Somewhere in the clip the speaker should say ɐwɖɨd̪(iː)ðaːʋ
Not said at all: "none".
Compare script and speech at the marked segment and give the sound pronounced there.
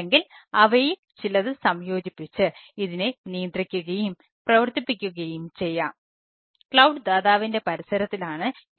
aː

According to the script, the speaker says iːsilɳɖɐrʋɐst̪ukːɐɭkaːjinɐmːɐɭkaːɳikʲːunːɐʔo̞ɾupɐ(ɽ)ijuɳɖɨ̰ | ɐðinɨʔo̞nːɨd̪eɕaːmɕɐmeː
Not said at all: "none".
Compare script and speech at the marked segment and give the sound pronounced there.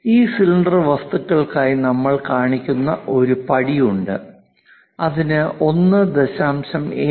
ɽ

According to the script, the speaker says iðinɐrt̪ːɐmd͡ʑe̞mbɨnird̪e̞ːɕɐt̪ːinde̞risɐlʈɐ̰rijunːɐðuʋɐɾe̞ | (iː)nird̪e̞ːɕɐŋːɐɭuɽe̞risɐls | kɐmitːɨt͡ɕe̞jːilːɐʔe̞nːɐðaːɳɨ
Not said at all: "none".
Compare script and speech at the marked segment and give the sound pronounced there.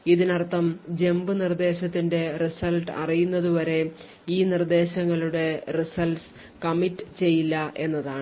iː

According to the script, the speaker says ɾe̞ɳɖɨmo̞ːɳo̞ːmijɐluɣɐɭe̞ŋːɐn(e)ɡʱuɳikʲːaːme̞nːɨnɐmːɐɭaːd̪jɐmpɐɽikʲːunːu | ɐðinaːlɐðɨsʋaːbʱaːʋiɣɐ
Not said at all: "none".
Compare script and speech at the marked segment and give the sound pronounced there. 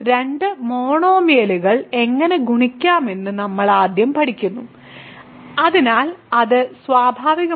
e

